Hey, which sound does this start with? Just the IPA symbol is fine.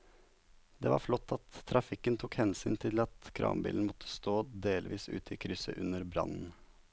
d̪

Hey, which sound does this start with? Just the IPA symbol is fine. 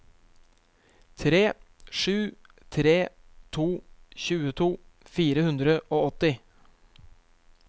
t̪ʰ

